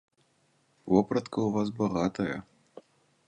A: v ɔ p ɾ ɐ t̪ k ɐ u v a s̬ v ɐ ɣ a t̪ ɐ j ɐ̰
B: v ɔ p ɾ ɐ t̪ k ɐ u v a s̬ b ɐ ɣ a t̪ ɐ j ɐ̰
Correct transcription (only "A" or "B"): B